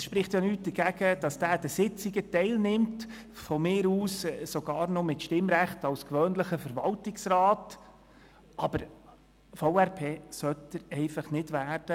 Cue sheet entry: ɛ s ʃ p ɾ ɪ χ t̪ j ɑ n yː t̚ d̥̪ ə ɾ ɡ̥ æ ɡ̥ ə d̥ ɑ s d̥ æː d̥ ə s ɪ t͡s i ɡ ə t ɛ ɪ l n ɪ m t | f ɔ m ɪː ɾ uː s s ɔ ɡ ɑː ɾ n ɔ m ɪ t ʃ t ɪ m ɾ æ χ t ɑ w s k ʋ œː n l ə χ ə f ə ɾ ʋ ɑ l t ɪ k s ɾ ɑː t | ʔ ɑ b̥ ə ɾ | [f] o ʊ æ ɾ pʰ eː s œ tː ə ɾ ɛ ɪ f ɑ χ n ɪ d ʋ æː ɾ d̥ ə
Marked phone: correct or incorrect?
correct